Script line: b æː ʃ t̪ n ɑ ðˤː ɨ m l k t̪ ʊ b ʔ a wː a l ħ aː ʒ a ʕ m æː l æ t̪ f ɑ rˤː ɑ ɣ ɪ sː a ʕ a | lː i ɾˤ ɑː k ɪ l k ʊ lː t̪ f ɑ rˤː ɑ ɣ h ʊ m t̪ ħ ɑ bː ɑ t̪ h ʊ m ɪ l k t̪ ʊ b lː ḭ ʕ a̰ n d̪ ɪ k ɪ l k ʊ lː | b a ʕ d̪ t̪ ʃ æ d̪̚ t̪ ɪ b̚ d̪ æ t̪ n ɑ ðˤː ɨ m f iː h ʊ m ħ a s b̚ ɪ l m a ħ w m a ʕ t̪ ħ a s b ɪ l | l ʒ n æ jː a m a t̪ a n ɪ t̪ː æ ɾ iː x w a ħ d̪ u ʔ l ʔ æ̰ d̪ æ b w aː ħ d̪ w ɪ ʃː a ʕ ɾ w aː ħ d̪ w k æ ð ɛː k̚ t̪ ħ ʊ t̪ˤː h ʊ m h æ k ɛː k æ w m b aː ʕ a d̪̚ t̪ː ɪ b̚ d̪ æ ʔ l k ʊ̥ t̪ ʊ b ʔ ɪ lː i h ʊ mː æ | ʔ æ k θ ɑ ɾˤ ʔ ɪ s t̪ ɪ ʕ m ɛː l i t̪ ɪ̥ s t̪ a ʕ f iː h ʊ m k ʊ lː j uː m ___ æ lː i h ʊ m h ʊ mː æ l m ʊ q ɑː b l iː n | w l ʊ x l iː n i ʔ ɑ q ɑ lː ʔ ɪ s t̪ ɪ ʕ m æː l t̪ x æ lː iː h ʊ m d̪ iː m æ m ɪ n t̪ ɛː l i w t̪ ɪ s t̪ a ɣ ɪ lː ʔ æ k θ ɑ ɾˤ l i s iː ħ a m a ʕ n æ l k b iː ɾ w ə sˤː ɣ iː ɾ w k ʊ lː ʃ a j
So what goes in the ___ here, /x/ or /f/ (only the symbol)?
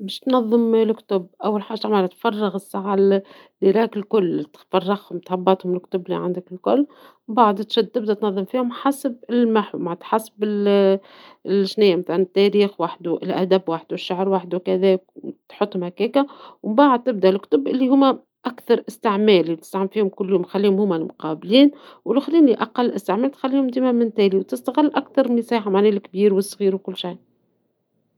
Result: x